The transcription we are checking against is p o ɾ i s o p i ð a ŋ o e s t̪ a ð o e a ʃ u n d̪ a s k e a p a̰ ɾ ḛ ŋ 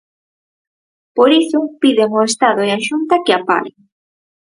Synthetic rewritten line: p o ɾ i s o p i ð e ŋ o e s t̪ a ð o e a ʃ u n t̪ a k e a p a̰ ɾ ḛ ŋ